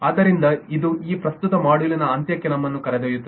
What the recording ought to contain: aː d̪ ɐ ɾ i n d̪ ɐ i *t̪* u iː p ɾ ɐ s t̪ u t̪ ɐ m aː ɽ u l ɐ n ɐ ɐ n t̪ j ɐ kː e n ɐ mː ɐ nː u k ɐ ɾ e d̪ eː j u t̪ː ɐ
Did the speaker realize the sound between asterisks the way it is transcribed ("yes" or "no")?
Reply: no